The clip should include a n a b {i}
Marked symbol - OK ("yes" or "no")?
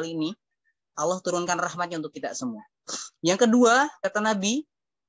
yes